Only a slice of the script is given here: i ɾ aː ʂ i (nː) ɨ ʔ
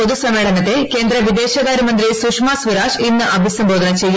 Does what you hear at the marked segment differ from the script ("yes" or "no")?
no